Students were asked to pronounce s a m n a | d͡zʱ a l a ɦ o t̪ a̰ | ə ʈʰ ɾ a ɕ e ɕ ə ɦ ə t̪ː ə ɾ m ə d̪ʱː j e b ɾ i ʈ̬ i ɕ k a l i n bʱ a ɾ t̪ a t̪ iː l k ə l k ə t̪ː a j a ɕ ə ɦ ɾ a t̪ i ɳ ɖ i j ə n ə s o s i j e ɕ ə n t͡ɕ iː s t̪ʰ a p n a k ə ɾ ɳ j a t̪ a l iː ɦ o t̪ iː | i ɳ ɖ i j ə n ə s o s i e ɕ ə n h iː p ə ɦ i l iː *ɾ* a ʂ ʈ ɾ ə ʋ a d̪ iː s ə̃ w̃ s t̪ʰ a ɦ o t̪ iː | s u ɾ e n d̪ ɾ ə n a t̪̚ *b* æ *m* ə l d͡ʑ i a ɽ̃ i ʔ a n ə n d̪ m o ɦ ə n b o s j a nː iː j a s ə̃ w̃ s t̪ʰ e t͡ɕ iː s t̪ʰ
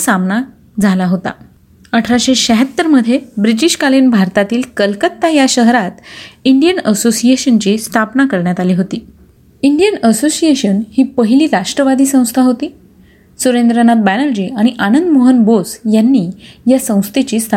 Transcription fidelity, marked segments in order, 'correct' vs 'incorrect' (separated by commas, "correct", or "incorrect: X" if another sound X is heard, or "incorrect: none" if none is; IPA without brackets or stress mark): correct, correct, incorrect: n